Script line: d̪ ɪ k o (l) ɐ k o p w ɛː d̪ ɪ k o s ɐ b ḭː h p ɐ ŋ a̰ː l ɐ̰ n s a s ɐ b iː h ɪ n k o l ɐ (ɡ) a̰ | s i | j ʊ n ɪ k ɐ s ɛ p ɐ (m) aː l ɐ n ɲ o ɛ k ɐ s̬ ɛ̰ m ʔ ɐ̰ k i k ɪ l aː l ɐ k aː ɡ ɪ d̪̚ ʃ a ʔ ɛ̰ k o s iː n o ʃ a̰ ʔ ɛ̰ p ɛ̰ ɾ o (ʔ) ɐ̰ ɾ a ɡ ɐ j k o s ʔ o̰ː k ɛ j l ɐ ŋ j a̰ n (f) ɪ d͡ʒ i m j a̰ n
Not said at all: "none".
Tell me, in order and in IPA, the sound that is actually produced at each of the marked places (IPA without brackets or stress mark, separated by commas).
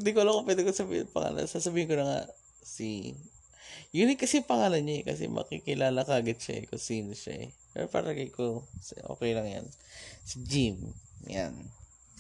l, ŋ, ŋ, p, s